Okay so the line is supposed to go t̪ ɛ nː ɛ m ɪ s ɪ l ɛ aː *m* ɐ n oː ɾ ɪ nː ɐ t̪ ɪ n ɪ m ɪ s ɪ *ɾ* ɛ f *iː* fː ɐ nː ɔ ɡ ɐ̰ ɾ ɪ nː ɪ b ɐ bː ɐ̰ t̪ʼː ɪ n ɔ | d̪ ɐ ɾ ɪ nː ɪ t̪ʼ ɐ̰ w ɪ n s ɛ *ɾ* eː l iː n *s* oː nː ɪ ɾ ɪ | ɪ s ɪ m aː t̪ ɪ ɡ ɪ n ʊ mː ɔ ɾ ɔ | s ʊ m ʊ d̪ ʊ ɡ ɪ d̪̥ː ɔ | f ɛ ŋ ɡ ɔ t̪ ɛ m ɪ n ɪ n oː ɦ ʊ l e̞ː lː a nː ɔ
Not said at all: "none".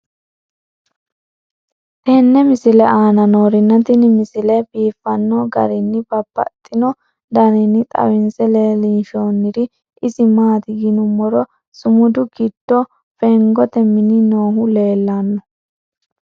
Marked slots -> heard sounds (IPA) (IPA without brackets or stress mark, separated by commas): n, l, iː, l, ʃ